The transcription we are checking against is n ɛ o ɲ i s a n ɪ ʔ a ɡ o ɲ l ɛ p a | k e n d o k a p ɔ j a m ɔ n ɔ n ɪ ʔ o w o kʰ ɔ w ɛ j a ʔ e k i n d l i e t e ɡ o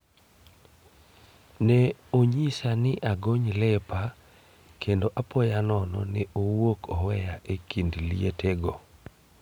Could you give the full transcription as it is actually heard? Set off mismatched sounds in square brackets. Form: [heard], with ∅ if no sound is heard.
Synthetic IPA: n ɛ o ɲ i s a n ɪ ʔ a ɡ o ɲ l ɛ p a | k e n d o [ʔ] a p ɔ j a [n] ɔ n ɔ n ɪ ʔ o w o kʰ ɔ w ɛ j a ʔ e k i n d l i e t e ɡ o